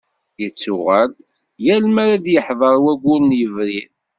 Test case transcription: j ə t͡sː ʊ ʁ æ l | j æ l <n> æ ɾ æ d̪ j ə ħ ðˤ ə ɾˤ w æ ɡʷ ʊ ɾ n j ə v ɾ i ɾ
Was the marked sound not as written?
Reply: yes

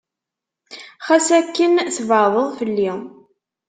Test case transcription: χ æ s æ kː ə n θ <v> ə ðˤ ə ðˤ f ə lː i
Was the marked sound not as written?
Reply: no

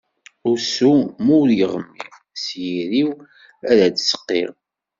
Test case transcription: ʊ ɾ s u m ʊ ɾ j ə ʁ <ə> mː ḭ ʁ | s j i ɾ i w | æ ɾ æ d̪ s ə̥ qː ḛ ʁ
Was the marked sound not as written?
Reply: no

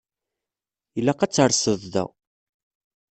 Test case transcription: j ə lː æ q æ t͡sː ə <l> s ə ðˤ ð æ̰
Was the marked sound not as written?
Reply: yes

